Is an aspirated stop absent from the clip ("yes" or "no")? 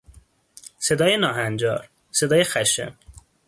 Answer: yes